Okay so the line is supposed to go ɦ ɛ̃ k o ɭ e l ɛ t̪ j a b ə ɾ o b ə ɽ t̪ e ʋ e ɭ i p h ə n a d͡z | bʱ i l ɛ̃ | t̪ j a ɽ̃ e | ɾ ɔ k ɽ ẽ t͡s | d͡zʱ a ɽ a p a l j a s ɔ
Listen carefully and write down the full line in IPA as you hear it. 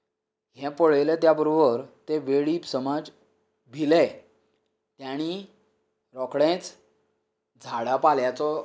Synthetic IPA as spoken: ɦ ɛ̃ p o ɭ e l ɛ t̪ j a b ə ɾ o b ə ɾ t̪ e ʋ e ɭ i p s ə m a d͡z | bʱ i l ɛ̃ | t̪ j a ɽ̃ i | ɾ ɔ k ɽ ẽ t͡s | d͡zʱ a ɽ a p a l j a t͡s ɔ